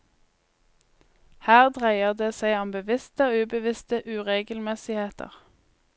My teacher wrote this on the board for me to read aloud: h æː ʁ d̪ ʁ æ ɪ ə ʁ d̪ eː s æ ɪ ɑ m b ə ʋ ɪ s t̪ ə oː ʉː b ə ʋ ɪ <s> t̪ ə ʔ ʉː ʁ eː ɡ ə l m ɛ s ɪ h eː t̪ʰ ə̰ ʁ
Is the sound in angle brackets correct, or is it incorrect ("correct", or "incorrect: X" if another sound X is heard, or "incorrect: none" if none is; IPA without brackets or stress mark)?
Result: correct